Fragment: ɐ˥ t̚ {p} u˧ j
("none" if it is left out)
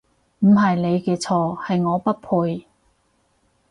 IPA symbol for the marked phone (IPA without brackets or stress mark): pʰ